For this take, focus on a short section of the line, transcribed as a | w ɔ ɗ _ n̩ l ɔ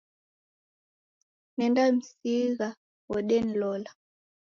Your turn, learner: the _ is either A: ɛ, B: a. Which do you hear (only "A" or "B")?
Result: A